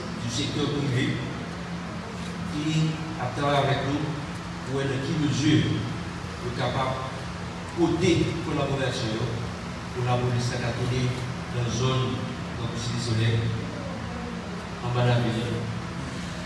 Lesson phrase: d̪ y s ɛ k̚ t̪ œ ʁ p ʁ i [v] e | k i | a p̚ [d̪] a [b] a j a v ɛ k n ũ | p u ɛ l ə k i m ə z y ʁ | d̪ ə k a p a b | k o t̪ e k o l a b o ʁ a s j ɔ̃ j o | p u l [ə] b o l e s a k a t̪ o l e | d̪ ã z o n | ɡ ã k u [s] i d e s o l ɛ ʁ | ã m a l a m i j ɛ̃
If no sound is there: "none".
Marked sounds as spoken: v, t̪, v, a, s

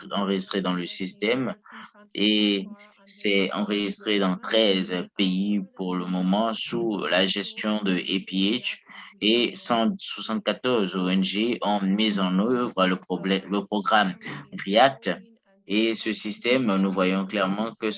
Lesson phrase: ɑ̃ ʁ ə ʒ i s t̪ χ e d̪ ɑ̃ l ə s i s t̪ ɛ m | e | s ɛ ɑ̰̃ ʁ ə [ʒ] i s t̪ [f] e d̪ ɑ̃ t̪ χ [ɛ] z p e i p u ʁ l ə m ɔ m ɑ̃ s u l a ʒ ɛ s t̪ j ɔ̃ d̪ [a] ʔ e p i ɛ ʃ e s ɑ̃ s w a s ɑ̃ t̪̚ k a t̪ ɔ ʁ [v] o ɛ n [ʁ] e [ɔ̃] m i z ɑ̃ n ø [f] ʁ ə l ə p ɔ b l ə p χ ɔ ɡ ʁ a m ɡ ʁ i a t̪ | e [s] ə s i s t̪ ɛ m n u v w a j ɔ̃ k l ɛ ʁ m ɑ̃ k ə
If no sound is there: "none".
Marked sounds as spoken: ʒ, χ, ɛ, ə, z, ʒ, ɔ̃, v, s

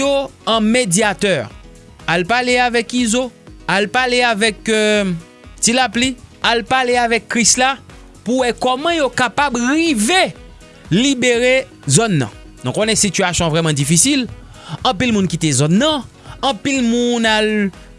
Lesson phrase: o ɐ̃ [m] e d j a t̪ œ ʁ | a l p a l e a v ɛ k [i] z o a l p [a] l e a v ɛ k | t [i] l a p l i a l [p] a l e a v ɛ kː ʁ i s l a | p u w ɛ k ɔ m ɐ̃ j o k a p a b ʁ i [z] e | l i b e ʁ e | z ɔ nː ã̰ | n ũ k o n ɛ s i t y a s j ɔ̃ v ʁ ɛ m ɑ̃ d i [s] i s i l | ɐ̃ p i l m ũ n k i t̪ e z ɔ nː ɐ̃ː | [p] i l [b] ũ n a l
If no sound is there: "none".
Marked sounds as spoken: m, i, a, i, p, v, f, p, m

